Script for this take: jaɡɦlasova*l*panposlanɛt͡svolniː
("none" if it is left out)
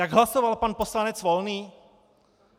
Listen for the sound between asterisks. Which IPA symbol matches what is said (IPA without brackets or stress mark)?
l